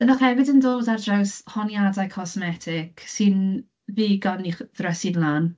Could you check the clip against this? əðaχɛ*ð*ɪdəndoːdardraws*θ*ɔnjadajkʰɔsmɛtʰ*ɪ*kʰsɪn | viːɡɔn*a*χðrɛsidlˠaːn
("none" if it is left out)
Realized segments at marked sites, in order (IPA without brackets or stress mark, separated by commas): v, h, ɪ, i